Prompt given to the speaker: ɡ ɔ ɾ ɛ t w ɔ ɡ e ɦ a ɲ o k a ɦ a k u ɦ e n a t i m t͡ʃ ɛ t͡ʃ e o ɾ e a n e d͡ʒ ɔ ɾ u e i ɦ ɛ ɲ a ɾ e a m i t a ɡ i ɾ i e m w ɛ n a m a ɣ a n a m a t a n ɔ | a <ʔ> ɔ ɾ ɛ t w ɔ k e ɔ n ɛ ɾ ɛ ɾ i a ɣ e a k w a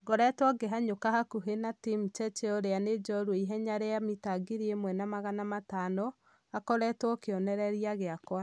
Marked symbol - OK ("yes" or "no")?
no